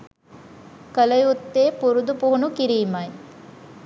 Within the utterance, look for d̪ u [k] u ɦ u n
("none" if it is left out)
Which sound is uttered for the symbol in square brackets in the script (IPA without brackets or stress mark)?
p